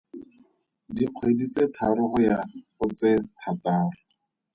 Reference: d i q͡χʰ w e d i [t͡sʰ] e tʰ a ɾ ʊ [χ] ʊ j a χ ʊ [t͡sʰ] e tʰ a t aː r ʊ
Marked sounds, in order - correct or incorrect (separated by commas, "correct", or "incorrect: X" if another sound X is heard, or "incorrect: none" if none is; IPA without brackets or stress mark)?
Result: incorrect: t͡s, correct, incorrect: t͡s